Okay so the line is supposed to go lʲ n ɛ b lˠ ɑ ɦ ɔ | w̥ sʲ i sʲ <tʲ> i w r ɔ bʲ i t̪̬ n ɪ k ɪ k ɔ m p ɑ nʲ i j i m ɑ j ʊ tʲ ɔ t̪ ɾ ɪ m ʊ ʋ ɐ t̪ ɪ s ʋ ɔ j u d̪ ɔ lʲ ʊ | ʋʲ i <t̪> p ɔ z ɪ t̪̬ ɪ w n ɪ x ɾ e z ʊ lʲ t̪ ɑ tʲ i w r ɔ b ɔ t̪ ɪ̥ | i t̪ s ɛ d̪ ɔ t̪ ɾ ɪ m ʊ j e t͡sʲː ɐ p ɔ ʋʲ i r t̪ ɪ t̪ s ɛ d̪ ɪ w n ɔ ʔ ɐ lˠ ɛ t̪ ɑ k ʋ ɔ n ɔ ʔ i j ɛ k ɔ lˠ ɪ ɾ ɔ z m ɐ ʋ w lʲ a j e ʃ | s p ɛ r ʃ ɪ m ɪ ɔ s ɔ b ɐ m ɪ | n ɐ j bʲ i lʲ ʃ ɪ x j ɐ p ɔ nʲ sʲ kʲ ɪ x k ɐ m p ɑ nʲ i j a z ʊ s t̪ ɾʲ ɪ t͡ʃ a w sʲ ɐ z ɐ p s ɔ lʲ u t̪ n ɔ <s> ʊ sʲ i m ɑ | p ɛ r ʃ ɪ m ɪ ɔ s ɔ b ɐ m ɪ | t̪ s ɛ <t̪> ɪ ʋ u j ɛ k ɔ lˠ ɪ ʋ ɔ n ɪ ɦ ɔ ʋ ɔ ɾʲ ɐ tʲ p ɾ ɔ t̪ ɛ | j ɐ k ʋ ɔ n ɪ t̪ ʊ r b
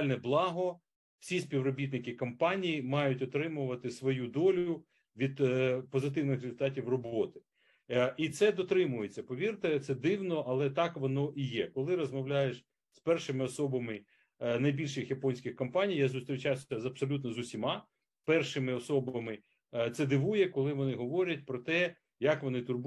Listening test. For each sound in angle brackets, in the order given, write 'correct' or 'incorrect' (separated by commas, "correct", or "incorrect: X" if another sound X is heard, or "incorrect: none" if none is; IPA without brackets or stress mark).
incorrect: pʲ, incorrect: d̪, incorrect: z, incorrect: d̪